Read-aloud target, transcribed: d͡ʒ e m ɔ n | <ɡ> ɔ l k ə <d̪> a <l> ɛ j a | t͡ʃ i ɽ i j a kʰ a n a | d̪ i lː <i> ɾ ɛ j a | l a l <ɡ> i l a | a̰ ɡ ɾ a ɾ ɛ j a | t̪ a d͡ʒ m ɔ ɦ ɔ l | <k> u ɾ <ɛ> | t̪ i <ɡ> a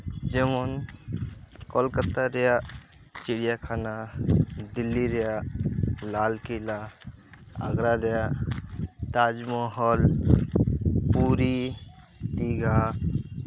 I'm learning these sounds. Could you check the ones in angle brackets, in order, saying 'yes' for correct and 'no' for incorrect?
no, no, no, yes, no, no, no, yes

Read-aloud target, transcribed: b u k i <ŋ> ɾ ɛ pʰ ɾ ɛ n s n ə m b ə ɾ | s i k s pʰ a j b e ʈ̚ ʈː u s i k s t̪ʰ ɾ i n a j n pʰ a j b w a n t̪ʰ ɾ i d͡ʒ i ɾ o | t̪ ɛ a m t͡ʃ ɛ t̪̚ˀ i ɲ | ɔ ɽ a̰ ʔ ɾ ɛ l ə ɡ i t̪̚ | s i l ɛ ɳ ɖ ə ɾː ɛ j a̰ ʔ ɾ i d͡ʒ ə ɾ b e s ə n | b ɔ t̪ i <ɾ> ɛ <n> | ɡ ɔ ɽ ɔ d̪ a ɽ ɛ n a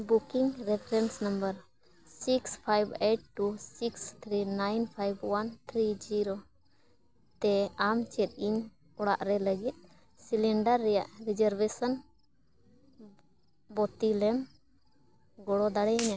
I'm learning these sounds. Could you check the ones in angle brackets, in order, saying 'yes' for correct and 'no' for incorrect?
yes, no, no

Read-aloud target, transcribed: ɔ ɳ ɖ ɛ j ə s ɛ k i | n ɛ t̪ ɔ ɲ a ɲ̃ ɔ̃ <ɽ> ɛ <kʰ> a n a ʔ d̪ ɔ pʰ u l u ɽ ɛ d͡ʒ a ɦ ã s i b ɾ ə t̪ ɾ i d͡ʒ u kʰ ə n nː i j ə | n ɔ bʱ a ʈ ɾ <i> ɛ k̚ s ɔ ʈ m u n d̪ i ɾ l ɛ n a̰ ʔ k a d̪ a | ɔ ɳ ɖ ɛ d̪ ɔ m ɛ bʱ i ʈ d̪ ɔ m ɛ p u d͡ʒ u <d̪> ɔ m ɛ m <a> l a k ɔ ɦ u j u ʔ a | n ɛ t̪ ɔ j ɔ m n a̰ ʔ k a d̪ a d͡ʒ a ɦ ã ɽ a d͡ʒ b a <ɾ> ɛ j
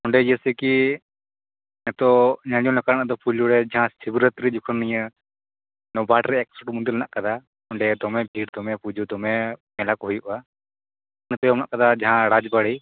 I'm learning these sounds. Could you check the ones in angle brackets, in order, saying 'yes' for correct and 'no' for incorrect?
no, no, no, yes, no, no

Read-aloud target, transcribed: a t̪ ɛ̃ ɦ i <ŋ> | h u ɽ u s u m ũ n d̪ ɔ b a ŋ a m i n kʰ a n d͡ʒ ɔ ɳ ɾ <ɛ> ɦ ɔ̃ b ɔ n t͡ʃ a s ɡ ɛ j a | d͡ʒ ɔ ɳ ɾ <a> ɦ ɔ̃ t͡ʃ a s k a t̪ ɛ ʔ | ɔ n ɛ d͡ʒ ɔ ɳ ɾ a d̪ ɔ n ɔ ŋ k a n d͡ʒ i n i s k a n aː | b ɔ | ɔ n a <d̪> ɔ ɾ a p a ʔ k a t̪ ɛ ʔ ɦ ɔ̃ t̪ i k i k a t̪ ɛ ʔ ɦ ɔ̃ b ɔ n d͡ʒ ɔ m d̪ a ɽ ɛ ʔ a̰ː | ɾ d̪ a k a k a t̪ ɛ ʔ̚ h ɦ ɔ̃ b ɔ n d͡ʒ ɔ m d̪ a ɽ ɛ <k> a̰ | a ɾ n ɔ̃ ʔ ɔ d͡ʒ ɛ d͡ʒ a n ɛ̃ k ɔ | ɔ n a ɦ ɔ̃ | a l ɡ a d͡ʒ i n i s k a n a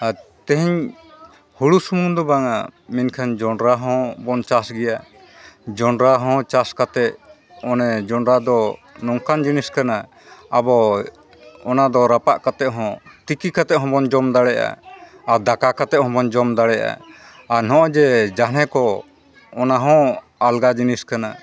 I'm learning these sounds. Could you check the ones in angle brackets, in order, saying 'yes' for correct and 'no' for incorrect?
no, no, yes, yes, no

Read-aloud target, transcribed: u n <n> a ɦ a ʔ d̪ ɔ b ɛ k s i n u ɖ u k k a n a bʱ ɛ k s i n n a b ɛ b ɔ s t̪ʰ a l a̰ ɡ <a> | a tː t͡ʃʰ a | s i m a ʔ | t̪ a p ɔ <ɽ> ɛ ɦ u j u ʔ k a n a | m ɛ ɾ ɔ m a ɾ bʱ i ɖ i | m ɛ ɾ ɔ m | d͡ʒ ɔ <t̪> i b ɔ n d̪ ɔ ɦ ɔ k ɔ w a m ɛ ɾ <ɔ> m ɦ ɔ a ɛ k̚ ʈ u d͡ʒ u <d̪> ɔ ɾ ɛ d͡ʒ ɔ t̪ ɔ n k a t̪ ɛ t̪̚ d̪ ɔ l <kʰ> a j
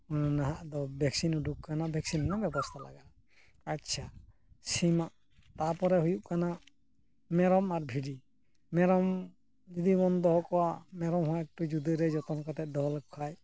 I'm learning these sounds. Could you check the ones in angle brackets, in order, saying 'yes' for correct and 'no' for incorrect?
yes, yes, no, no, yes, yes, yes

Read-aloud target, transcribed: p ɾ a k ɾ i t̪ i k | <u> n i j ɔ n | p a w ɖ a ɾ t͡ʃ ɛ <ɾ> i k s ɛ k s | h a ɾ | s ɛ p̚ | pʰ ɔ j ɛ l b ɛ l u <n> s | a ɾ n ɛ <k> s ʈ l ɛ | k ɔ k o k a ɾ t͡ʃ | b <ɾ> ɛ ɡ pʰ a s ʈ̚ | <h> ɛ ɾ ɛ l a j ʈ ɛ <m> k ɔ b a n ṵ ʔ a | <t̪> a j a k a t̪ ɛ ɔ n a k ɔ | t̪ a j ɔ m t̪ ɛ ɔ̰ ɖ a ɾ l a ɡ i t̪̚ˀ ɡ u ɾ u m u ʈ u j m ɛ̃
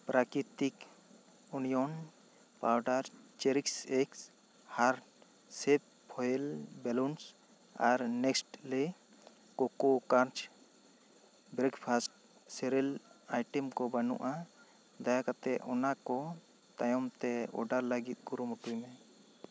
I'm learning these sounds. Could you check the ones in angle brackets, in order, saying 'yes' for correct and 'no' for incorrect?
yes, yes, yes, yes, yes, no, yes, no

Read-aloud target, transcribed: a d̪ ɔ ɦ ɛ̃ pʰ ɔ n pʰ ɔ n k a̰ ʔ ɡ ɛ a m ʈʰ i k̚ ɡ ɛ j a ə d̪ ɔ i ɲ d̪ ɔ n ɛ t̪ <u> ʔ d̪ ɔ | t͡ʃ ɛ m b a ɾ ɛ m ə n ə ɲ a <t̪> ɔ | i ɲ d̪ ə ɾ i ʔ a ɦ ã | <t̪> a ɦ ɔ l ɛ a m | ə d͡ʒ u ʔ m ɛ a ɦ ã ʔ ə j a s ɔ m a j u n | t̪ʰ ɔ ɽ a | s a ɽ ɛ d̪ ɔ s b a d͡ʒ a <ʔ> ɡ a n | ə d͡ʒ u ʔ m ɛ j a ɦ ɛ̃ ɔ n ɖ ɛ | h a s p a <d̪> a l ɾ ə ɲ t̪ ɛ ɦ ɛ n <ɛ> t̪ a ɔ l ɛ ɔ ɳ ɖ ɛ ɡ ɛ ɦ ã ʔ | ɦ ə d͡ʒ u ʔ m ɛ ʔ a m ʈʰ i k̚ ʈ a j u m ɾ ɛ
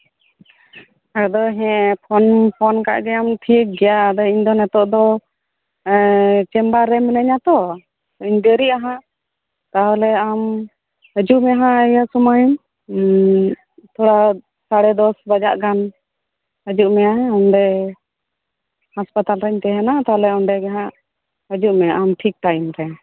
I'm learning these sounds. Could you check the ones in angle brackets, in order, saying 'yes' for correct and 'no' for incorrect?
no, yes, yes, yes, no, no

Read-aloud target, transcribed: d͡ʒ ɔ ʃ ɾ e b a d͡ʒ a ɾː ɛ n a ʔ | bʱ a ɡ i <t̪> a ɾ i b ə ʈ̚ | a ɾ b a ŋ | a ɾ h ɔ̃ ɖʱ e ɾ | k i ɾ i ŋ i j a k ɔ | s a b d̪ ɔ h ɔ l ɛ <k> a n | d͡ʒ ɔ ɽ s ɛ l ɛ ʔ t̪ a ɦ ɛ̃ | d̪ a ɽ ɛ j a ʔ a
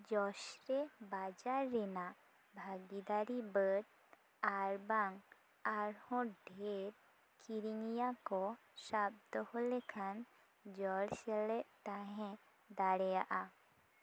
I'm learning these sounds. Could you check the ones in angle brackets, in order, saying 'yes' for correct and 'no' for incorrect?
no, no

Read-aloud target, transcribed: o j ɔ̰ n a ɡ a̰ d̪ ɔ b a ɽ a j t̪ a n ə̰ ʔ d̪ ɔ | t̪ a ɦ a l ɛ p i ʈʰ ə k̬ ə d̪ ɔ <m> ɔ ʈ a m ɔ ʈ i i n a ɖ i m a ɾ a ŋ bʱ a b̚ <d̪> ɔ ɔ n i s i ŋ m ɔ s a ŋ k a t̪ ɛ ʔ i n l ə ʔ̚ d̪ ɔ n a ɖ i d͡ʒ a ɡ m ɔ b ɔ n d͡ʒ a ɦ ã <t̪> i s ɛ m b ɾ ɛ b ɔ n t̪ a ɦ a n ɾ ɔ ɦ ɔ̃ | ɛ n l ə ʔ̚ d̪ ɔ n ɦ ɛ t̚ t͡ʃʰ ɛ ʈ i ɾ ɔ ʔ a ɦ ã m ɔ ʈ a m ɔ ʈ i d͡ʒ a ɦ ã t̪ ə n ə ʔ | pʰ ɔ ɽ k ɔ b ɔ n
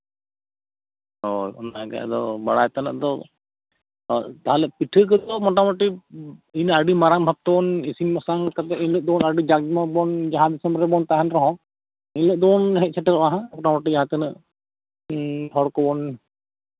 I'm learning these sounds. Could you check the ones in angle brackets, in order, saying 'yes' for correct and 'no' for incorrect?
yes, no, no

